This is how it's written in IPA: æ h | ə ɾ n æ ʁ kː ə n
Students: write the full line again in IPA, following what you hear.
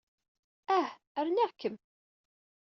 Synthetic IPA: æ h | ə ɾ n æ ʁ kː ə m